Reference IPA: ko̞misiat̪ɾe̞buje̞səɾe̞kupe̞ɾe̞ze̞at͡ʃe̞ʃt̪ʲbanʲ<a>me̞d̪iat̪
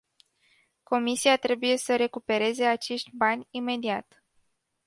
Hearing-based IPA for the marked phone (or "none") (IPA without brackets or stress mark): i